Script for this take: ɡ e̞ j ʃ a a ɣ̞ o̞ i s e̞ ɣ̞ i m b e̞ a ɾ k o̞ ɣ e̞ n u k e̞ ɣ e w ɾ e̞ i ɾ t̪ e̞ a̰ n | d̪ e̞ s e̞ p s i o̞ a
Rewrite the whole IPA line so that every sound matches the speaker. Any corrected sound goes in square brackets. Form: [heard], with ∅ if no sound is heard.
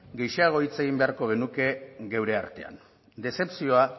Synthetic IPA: ɡ e̞ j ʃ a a ɣ̞ o̞ i [t͡s] e̞ ɣ̞ i m b e̞ a ɾ k o̞ ɣ e̞ n u k e̞ ɣ e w ɾ e̞ [a] ɾ t̪ e̞ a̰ n | d̪ e̞ s e̞ p s i o̞ a

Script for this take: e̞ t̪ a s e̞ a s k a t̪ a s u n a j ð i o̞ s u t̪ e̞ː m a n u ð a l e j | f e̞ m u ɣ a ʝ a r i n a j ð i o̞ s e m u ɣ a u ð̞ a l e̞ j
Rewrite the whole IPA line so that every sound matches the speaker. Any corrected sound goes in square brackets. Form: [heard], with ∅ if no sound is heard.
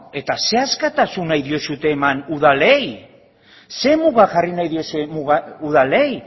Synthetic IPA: e̞ t̪ a s e̞ a s k a t̪ a s u n a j ð i o̞ s u t̪ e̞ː m a n u ð a l e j | [s] e̞ m u ɣ a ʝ a r i n a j ð i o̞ s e m u ɣ a u ð̞ a l e̞ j

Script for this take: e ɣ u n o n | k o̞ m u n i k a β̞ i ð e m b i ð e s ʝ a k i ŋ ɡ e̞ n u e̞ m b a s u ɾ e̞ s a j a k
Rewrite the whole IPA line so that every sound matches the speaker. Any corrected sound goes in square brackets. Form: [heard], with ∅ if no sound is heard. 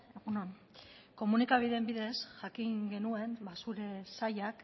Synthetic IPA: e ɣ u n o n | k o̞ m u n i k a β̞ i ð e m b i ð e s ʝ a k i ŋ ɡ e̞ n u e̞ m b a s u ɾ e̞ s a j a k

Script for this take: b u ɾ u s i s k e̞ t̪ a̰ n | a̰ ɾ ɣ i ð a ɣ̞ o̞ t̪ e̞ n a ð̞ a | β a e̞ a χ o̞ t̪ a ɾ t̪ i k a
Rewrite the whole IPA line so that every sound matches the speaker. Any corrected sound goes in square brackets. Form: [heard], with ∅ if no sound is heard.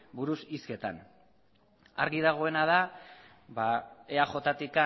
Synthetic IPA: b u ɾ u s i s k e̞ t̪ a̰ n | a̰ ɾ ɣ i ð a ɣ̞ o̞ [∅] e̞ n a ð̞ a | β a e̞ a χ o̞ t̪ a [∅] t̪ i k a

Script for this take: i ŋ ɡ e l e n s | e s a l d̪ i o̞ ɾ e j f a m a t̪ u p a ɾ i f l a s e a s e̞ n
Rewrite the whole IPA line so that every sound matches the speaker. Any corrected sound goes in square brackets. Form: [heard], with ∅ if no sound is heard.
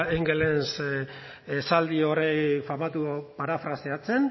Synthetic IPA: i ŋ ɡ e l e n s | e s a l d̪ i o̞ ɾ e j f a m a t̪ u p a ɾ [a] f [ɾ] a s e a [t͡s] e̞ n

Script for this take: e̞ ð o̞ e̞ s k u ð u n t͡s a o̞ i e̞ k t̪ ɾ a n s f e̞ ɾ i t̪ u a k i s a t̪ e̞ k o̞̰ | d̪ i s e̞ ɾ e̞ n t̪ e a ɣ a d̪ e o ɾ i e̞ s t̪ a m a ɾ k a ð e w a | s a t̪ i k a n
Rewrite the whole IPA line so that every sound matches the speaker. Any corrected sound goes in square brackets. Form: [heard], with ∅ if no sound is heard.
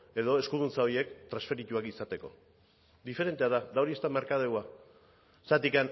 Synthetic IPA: e̞ ð o̞ e̞ s k u ð u n t͡s a o̞ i e̞ k t̪ ɾ a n s f e̞ ɾ i t̪ u a k i s a t̪ e̞ k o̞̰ | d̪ i [f] e̞ ɾ e̞ n t̪ e a [ð] a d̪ [a] o ɾ i e̞ s t̪ a m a ɾ k a ð e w a | s a t̪ i k a n

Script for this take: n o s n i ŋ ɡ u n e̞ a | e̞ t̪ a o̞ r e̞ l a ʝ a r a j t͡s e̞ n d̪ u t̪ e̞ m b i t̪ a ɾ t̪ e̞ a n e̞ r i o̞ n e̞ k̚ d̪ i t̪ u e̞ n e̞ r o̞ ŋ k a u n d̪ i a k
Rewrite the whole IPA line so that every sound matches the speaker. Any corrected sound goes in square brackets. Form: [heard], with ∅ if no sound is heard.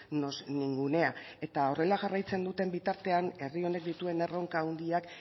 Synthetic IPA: n o s n i ŋ ɡ u n e̞ a | e̞ t̪ a o̞ r e̞ l a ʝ a r a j t͡s e̞ n d̪ u t̪ e̞ m b i t̪ a ɾ t̪ e̞ a n e̞ r i o̞ n e̞ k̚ d̪ i t̪ u e̞ n e̞ r o̞ ŋ k a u n d̪ i a k

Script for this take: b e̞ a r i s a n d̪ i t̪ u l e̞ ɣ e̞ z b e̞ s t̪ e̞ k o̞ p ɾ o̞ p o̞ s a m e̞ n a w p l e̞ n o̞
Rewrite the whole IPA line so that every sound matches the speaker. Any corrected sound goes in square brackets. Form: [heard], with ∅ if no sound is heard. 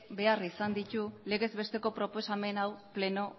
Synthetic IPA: b e̞ a r i s a n d̪ i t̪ u l e̞ ɣ e̞ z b e̞ s t̪ e̞ k o̞ p ɾ o̞ p o̞ s a m e̞ n a w p l e̞ n o̞

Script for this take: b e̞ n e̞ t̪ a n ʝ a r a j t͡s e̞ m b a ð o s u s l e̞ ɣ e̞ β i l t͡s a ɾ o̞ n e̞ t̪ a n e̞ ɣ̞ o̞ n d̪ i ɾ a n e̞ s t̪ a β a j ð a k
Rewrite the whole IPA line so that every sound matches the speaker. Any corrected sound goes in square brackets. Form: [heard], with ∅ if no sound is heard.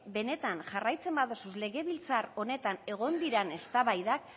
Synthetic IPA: b e̞ n e̞ t̪ a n ʝ a r a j t͡s e̞ m b a ð o s u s l e̞ ɣ e̞ β i l t͡s a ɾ o̞ n e̞ t̪ a n e̞ ɣ̞ o̞ n d̪ i ɾ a n e̞ s t̪ a β a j ð a k

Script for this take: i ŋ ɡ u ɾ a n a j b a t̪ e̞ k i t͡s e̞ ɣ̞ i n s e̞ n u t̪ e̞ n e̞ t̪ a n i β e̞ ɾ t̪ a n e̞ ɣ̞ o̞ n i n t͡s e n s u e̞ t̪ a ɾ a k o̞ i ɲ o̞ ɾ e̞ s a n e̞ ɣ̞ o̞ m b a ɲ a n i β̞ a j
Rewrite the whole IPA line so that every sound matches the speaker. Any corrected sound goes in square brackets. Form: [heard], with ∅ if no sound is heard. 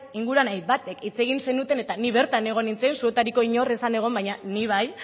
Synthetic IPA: i ŋ ɡ u ɾ a n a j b a t̪ e̞ k i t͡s e̞ ɣ̞ i n s e̞ n u t̪ e̞ n e̞ t̪ a n i β e̞ ɾ t̪ a n e̞ ɣ̞ o̞ n i n t͡s e n s u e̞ t̪ a ɾ [i] k o̞ i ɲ o̞ [r] e̞ s a n e̞ ɣ̞ o̞ m b a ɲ a n i β̞ a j

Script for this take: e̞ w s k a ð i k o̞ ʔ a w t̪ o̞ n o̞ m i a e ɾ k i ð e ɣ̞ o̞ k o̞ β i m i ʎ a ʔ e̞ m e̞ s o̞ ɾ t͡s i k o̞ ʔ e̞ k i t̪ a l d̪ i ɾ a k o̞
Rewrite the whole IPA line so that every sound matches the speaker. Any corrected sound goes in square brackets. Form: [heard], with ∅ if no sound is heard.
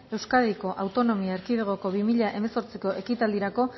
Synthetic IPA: e̞ w s k a ð i k o̞ ʔ a w t̪ o̞ n o̞ m i a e ɾ k i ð e ɣ̞ o̞ k o̞ β i m i ʎ a ʔ e̞ m e̞ s o̞ ɾ t͡s i k o̞ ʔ e̞ k i t̪ a l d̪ i ɾ a k o̞

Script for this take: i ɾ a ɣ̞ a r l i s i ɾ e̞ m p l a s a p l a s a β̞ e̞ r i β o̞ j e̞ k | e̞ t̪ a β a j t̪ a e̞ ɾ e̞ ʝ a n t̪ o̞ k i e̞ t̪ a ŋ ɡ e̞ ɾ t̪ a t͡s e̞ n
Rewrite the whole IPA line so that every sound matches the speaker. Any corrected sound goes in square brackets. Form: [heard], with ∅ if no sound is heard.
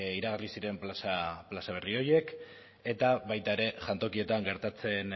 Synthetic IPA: i ɾ a ɣ̞ a r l i s i ɾ e̞ m p l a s a p l a s a β̞ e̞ r i [∅] o̞ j e̞ k | e̞ t̪ a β a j t̪ a e̞ ɾ e̞ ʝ a n t̪ o̞ k i e̞ t̪ a ŋ ɡ e̞ ɾ t̪ a t͡s e̞ n

